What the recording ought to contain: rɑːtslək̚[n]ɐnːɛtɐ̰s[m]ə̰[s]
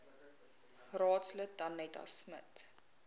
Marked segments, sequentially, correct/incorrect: incorrect, correct, incorrect

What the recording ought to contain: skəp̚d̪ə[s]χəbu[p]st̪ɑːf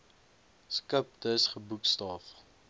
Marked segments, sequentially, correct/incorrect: correct, incorrect

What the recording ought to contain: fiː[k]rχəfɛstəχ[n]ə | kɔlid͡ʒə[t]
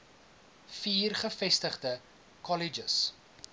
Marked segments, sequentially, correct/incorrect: incorrect, incorrect, incorrect

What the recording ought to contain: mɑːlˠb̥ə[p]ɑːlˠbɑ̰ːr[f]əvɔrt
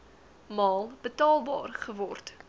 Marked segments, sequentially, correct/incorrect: incorrect, incorrect

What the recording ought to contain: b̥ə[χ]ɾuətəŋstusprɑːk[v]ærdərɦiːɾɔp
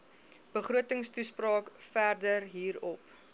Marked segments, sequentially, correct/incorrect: correct, incorrect

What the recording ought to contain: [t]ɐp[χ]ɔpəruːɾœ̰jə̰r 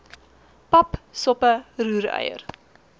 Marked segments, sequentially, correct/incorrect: incorrect, incorrect

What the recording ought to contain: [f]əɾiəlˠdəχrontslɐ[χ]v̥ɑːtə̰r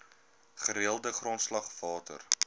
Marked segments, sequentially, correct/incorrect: incorrect, correct

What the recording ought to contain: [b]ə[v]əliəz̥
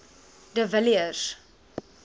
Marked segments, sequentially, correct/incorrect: incorrect, correct

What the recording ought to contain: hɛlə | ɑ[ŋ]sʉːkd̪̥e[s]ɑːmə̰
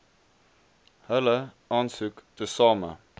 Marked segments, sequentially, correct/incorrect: incorrect, correct

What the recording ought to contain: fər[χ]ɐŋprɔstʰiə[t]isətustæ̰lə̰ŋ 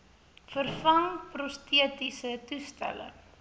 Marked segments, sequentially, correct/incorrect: incorrect, correct

